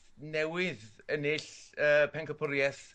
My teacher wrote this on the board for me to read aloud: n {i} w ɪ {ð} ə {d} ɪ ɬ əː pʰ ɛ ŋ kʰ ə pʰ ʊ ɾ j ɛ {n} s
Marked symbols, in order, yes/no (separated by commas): no, yes, no, no